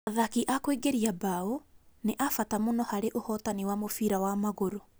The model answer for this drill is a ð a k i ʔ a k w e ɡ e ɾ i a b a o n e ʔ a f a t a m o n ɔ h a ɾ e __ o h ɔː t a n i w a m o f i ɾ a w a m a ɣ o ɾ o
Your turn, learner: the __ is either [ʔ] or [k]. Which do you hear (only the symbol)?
ʔ